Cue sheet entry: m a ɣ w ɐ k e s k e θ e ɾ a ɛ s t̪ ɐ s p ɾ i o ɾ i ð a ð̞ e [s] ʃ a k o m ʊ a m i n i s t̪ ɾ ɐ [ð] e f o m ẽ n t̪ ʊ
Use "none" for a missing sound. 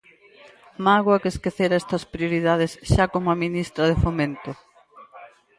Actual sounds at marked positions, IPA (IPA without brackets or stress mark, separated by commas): s, ð